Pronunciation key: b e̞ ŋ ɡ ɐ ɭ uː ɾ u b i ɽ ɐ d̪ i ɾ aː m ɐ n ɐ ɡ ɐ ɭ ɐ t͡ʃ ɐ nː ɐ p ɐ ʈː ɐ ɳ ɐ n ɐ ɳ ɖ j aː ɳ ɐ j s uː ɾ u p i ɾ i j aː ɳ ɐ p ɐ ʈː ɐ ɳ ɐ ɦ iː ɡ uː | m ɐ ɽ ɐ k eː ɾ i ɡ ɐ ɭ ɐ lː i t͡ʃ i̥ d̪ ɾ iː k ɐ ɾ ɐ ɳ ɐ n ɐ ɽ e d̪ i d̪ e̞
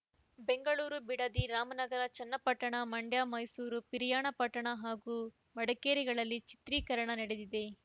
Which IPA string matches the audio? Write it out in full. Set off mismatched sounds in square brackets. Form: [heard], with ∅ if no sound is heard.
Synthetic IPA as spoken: b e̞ ŋ ɡ ɐ ɭ uː ɾ u b i ɽ ɐ d̪ i ɾ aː m ɐ n ɐ ɡ ɐ [ɾ] ɐ t͡ʃ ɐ nː ɐ p ɐ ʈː ɐ ɳ ɐ [m] ɐ ɳ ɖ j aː [m] ɐ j s uː ɾ u p i ɾ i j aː ɳ ɐ p ɐ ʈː ɐ ɳ ɐ ɦ [aː] ɡ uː | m ɐ ɽ ɐ k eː ɾ i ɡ ɐ ɭ ɐ lː i t͡ʃ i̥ [t̪] ɾ iː k ɐ ɾ ɐ ɳ ɐ n ɐ ɽ e d̪ i d̪ e̞